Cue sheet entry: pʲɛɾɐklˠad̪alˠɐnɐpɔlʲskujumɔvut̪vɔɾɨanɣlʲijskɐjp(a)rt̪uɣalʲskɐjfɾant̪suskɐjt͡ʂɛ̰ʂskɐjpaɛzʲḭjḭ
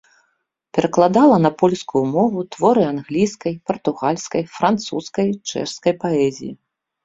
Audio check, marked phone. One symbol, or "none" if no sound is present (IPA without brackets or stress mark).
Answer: ɐ